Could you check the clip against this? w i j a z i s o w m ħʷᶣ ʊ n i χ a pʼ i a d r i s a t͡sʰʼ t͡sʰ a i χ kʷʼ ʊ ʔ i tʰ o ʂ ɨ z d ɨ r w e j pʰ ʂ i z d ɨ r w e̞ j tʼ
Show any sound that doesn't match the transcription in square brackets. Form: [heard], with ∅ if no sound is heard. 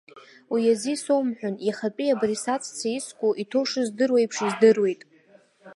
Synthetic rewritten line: w i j a z i s o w m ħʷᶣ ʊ n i χ a pʼ i a [b] r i s a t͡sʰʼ t͡sʰ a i [s] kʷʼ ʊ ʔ i tʰ o ʂ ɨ z d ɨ r w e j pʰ ʂ i z d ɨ r w e̞ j tʼ